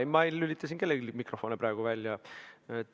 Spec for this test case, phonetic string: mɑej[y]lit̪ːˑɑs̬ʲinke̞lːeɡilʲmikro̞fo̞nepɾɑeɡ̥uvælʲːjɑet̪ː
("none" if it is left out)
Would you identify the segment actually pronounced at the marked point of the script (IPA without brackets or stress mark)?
y